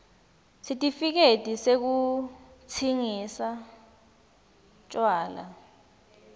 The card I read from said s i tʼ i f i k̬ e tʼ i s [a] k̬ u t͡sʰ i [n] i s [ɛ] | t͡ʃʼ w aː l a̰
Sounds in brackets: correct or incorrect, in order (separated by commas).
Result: incorrect, incorrect, incorrect